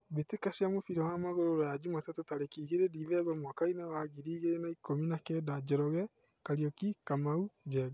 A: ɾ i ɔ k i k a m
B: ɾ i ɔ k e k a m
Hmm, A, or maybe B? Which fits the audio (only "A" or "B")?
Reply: A